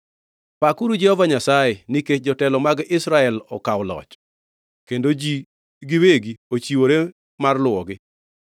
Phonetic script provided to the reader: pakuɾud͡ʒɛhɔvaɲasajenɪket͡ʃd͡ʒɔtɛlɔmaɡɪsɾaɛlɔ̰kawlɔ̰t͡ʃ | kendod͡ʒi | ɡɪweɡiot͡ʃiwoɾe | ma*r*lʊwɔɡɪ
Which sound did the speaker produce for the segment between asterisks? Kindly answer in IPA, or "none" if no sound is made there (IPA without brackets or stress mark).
r